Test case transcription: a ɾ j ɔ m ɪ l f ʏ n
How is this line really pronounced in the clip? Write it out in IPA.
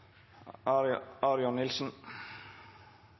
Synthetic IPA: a ɾ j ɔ n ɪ l s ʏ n